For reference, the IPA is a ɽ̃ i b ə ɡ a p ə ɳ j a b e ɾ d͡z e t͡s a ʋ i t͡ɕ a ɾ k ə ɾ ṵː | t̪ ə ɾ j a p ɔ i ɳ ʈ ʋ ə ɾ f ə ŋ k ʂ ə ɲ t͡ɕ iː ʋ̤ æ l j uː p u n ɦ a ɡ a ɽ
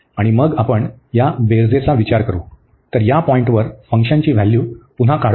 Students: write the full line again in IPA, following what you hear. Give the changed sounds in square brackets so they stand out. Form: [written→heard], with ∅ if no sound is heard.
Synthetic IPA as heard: a ɽ̃ i [b→m] ə ɡ a p ə ɳ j a b e ɾ d͡z e t͡s a ʋ i t͡ɕ a ɾ k ə ɾ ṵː | t̪ ə ɾ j a p ɔ i ɳ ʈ ʋ ə ɾ f ə ŋ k ʂ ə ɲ t͡ɕ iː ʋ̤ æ l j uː p u n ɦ a [ɡ→k] a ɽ